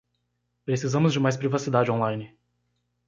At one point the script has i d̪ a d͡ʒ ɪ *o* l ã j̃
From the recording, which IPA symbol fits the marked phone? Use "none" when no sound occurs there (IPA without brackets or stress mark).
õ